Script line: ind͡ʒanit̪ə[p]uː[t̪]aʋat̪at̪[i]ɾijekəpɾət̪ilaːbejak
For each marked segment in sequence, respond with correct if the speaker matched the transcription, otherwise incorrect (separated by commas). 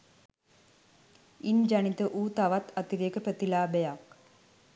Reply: incorrect, correct, correct